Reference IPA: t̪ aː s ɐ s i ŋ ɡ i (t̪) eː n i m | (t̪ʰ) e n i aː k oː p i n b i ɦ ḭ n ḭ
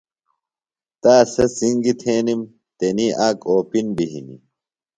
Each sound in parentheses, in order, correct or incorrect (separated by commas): incorrect, incorrect